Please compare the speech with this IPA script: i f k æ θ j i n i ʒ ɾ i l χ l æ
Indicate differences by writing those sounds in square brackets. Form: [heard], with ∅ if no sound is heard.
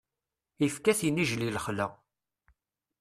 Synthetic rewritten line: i f k æ θ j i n i ʒ [l] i l χ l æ